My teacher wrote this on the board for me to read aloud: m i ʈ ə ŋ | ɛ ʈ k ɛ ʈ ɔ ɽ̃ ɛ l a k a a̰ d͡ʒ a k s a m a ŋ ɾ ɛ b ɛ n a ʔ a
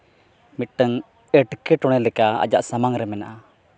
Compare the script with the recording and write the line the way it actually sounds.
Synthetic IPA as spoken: m i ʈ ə ŋ | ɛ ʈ k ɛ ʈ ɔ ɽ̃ ɛ l ɛ k a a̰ d͡ʒ a ʔ s a m a ŋ ɾ ɛ m ɛ n a ʔ a